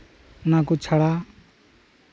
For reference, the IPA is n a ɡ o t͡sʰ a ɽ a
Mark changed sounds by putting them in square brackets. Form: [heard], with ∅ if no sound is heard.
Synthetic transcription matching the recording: n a [k] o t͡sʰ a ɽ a